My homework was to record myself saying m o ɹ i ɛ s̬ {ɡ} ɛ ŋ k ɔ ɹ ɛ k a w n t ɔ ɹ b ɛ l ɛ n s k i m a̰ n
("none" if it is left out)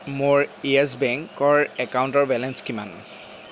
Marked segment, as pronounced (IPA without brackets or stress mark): b